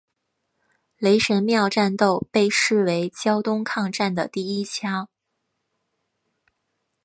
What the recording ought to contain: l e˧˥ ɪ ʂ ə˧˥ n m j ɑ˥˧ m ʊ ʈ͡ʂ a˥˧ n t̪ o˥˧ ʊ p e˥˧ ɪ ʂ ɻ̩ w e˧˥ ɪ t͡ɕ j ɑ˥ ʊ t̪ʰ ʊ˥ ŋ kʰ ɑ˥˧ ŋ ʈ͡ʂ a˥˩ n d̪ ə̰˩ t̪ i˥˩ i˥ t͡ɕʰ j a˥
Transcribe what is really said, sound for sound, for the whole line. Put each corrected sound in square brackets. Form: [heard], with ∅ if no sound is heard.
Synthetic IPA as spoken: l e˧˥ ɪ ʂ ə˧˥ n m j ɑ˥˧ [∅] ʊ ʈ͡ʂ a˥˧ n t̪ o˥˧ ʊ p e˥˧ ɪ ʂ ɻ̩ w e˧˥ ɪ t͡ɕ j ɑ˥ ʊ [t̪] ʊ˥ ŋ kʰ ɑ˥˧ ŋ ʈ͡ʂ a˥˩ n d̪ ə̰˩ t̪ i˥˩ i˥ t͡ɕʰ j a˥